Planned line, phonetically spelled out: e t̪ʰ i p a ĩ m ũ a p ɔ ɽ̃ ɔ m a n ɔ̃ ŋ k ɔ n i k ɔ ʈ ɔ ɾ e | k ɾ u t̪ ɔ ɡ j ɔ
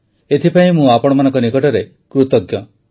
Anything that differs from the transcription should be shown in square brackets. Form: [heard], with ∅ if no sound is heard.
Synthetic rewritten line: e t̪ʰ i p a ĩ m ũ a p ɔ ɽ̃ ɔ m a n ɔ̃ ŋ k ɔ n i k ɔ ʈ ɔ ɾ e | k ɾ u t̪ ɔ ɡ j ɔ